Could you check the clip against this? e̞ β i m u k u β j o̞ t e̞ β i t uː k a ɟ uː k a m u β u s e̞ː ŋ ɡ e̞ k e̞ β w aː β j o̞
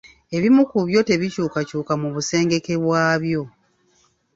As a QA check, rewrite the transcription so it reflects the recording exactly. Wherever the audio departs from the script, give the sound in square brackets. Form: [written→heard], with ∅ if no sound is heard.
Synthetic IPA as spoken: e̞ β i m u k u β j o̞ t e̞ β i [t→c] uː k a [ɟ→c] uː k a m u β u s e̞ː ŋ ɡ e̞ k e̞ β w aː β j o̞

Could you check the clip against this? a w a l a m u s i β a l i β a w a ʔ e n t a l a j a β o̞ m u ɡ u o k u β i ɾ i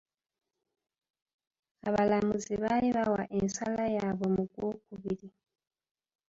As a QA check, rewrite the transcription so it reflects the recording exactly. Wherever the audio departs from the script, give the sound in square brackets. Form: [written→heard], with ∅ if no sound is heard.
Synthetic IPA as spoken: a [w→β] a l a m u [s→z] i β a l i β a w a ʔ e n [t→s] a l a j a β o̞ m u ɡ [u→w] o k u β i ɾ i

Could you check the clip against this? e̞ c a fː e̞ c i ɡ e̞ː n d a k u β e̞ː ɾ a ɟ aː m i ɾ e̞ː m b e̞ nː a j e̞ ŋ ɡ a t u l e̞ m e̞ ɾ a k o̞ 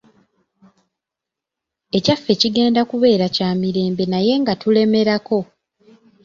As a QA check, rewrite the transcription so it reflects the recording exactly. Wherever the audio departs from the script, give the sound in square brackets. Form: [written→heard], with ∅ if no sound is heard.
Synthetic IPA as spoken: e̞ c a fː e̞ c i ɡ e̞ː n d a k u β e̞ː ɾ a [ɟ→c] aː m i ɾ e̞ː m b e̞ [nː→n] a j e̞ ŋ ɡ a t u l e̞ m e̞ ɾ a k o̞

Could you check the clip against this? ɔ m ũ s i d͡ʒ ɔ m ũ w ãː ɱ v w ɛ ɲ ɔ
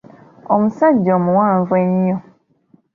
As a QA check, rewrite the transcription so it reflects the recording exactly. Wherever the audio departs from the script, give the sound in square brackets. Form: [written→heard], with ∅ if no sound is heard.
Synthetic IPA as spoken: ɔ m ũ s [i→a] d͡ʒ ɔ m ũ w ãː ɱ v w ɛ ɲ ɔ

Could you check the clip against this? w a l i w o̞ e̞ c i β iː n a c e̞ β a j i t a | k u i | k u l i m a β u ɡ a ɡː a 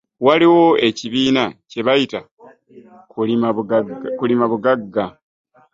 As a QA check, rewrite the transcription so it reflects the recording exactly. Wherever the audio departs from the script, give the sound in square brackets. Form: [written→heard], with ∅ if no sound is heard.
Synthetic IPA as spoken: w a l i w o̞ e̞ c i β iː n a c e̞ β a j i t a | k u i | k u l i m a β u ɡ a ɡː a

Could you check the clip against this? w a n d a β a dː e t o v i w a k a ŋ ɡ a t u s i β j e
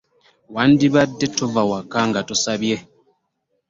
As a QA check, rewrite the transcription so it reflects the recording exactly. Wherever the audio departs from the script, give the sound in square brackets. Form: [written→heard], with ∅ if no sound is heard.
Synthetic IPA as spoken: w a n d [a→i] β a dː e t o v [i→a] w a k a ŋ ɡ a t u s [i→a] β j e

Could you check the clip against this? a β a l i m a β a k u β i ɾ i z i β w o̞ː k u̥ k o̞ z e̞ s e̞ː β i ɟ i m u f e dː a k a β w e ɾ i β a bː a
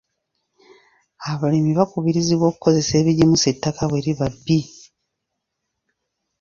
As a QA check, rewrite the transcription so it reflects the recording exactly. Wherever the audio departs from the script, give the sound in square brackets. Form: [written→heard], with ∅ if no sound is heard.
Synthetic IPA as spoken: a β a l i m [a→i] β a k u β i ɾ i z i β w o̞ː k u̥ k o̞ z e̞ s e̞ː β i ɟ i m u [f→s] e [dː→tː] a k a β w e ɾ i β a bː [a→i]

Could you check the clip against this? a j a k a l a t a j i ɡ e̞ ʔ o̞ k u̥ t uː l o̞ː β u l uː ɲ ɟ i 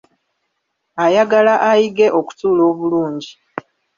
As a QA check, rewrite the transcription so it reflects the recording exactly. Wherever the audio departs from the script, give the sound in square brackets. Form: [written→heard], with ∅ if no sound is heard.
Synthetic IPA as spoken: a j a [k→ɡ] a l a [t→ʔ] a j i ɡ e̞ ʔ o̞ k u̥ t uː l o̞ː β u l uː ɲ ɟ i

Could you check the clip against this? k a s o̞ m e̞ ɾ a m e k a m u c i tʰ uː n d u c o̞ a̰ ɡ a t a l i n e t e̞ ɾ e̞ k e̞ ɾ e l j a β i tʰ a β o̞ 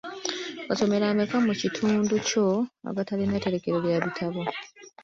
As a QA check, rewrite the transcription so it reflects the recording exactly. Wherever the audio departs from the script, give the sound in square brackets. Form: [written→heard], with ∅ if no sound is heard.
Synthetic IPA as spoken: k a s o̞ m e̞ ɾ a m e k a m u c i tʰ uː n d u c o̞ a̰ ɡ a t a l i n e t e̞ ɾ e̞ k e̞ ɾ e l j a β i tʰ a β o̞

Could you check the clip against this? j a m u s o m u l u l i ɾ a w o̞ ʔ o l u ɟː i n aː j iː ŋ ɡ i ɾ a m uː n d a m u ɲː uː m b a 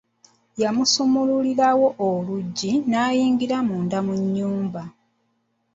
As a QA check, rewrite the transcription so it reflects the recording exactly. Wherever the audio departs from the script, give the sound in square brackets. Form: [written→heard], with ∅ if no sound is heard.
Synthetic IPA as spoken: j a m u s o m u l u l i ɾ a w o̞ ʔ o l u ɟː i n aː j iː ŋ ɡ i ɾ a m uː n d a m u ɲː uː m b a

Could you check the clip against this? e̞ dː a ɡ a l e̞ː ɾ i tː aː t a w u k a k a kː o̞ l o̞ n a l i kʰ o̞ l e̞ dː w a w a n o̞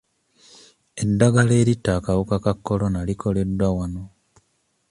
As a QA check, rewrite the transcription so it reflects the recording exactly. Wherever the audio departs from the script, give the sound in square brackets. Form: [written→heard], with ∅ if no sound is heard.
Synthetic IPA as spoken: e̞ dː a ɡ a l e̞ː ɾ i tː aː [t→k] a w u k a k a kː o̞ l o̞ n a l i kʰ o̞ l e̞ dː w a w a n o̞

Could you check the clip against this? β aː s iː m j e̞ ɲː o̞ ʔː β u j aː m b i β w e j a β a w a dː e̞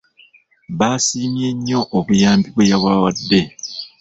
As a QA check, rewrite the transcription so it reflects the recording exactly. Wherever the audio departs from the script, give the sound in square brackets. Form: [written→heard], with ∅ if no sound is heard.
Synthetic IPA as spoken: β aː s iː m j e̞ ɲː o̞ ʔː β u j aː m b i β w e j a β a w a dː e̞

